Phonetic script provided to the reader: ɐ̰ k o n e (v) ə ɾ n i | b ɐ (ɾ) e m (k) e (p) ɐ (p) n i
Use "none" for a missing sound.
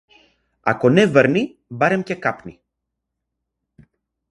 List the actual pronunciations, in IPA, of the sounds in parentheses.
v, ɾ, c, k, p

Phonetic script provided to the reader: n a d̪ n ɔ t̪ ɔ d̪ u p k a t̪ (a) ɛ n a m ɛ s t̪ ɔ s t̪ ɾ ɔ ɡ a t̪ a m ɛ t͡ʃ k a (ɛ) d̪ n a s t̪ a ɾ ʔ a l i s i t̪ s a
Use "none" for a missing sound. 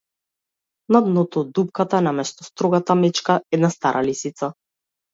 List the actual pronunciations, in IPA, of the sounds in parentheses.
a, ɛ

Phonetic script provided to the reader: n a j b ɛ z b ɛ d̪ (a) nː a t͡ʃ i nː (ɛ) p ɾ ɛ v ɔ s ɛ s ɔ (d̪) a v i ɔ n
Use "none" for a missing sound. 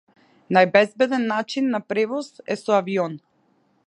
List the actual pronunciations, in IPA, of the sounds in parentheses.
ɛ, a, none

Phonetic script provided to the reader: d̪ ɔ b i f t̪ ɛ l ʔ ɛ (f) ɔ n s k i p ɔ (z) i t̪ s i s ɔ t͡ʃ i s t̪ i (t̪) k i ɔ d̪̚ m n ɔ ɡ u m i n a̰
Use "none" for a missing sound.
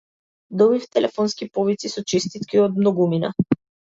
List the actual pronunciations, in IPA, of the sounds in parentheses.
f, v, t̪

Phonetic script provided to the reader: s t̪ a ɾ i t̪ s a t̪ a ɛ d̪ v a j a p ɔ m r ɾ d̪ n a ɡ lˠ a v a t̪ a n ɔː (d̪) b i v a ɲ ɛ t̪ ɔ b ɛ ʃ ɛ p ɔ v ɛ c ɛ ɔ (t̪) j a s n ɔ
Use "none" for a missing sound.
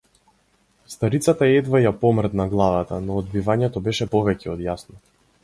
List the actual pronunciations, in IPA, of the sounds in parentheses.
d̪, d̪

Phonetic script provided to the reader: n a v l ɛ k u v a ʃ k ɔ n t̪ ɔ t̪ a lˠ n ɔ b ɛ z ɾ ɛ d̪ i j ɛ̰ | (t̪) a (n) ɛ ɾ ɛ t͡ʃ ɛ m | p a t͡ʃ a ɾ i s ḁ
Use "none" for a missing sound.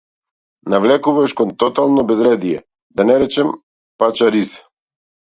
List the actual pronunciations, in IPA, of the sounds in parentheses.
d̪, n

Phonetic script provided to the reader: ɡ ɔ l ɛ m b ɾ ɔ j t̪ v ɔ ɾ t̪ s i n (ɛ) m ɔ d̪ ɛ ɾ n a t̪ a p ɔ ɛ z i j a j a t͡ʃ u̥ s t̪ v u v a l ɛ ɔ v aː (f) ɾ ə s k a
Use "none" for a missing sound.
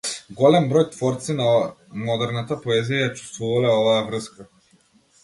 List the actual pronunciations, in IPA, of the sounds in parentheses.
a, v

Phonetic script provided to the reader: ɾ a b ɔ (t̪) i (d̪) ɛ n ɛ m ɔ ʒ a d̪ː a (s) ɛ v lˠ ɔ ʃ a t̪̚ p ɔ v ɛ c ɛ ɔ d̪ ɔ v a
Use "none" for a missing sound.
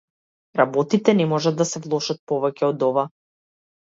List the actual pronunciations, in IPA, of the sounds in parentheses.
t̪, t̪, s

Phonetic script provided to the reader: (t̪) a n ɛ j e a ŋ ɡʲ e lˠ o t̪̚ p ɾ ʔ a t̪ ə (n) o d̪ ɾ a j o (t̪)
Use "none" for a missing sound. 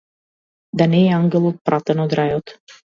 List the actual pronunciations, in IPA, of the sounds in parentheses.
d̪, n, t̪

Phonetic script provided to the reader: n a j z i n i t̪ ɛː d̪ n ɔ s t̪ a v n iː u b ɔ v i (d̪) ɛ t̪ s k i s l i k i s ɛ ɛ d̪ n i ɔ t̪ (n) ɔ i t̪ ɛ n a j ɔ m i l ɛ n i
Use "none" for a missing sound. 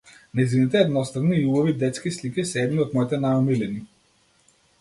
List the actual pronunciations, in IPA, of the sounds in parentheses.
d̪, m

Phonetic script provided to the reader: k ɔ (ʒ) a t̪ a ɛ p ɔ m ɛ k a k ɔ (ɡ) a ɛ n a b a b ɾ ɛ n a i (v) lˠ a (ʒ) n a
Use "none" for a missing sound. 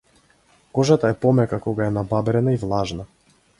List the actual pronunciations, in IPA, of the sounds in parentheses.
ʒ, ɡ, v, ʒ

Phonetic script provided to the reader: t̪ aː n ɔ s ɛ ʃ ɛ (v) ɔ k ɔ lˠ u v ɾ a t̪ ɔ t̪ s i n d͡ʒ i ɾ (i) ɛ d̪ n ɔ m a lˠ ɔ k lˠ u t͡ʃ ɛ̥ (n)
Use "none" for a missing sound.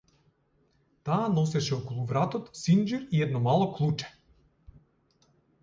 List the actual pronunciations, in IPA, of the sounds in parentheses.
none, i, none

